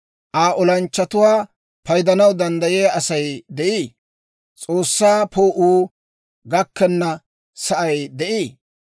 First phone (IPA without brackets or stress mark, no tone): ʔ